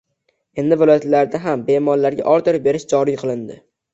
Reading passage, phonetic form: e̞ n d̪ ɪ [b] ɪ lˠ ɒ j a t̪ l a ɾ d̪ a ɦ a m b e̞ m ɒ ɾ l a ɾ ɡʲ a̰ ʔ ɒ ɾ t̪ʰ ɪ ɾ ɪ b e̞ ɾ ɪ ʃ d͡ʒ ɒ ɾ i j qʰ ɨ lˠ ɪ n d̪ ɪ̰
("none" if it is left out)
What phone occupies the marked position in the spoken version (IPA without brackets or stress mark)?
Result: v